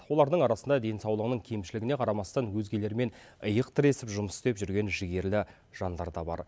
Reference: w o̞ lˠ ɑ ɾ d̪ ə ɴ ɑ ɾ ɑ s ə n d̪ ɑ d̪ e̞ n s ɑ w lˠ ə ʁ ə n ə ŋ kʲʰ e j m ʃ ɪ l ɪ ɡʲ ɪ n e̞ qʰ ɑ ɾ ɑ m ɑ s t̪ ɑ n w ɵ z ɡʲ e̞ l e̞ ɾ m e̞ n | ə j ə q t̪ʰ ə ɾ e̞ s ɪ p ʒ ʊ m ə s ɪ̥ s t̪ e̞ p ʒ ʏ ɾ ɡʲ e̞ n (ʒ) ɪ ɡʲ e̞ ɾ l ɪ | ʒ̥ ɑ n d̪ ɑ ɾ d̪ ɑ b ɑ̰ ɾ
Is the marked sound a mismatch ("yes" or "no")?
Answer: no